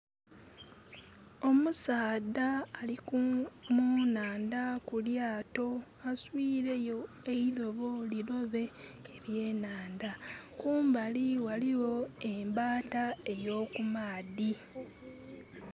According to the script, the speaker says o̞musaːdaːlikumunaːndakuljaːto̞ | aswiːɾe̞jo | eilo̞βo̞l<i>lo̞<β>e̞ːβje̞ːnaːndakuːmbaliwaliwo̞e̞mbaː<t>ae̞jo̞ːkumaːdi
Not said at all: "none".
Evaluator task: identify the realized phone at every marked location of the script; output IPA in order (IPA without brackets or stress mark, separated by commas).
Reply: i, β, t